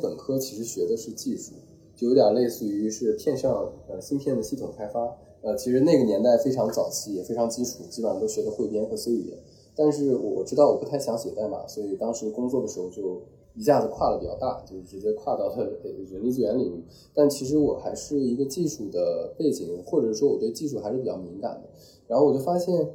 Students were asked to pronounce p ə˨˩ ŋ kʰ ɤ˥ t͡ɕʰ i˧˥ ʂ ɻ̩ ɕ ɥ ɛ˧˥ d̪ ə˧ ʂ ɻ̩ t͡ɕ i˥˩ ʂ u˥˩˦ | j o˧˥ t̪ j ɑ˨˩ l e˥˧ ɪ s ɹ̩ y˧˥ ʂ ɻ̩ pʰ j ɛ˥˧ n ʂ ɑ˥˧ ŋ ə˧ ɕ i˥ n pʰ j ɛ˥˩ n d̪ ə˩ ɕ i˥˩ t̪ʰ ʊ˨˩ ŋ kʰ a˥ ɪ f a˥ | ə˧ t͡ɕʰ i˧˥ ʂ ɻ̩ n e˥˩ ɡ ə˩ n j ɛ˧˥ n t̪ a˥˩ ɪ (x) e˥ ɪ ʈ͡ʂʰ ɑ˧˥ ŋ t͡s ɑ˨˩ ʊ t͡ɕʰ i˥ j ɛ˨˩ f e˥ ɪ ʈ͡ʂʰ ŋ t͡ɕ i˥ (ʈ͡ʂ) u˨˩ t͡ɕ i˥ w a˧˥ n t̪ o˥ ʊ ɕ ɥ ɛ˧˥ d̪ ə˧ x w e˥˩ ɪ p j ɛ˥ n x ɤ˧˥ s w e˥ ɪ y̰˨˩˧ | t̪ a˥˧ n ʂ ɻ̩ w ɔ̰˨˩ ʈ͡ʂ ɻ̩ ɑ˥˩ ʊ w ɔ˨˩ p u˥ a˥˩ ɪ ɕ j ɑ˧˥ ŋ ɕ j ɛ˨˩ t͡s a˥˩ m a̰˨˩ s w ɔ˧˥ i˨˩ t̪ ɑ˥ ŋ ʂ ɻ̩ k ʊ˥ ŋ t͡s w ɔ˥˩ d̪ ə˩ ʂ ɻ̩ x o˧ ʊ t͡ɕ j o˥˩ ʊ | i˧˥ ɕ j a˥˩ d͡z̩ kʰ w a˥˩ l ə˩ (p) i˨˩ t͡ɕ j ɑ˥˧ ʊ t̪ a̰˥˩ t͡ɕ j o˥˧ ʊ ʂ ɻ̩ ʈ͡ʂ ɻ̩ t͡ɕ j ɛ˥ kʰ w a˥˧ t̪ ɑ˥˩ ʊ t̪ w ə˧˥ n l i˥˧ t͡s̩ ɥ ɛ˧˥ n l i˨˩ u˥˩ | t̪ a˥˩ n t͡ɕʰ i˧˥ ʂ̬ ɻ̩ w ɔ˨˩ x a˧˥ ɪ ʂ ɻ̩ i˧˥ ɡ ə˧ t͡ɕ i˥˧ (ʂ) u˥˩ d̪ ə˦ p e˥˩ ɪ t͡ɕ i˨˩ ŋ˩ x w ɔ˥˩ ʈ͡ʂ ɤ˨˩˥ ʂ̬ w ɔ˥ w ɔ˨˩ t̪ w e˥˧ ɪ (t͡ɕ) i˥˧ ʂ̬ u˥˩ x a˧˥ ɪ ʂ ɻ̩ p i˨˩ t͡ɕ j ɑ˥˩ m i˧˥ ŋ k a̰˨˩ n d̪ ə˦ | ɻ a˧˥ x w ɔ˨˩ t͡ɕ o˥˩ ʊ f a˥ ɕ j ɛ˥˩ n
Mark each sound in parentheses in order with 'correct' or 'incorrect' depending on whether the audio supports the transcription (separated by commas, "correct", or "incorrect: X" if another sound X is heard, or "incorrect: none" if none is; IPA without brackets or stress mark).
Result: incorrect: f, incorrect: ʈ͡ʂʰ, correct, correct, correct